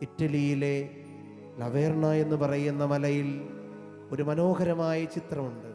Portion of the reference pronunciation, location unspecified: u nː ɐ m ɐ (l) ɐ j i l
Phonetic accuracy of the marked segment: correct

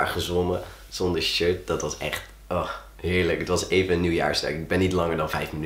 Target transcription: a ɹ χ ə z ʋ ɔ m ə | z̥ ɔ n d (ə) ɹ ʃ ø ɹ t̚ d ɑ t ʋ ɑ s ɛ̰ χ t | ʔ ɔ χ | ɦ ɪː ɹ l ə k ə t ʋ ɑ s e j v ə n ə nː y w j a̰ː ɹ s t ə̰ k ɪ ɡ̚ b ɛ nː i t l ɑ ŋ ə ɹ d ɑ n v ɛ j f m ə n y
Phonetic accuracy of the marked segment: correct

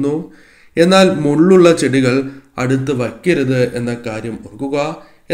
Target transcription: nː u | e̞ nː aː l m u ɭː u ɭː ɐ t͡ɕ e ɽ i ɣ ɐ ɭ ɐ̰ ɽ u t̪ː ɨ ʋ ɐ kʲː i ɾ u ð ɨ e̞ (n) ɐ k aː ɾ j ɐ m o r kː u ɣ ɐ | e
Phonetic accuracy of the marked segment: incorrect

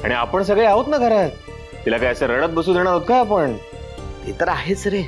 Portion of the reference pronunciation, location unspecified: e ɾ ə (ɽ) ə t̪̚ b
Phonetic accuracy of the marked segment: correct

